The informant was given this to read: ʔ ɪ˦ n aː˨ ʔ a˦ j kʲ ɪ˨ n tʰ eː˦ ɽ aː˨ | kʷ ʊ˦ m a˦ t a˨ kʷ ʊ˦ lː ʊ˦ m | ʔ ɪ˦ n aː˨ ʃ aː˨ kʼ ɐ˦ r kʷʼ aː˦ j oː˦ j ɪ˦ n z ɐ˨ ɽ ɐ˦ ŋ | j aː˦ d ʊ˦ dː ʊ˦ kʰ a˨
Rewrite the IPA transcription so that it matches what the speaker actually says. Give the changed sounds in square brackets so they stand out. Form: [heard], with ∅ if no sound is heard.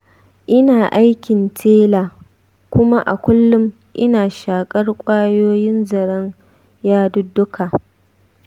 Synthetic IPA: ʔ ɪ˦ n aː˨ ʔ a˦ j kʲ ɪ˨ n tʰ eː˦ [l] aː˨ | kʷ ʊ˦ m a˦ [ʔ] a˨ kʷ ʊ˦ lː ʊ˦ m | ʔ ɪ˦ n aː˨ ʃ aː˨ kʼ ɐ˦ r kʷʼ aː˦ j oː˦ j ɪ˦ n z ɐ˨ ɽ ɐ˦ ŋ | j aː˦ d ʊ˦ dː ʊ˦ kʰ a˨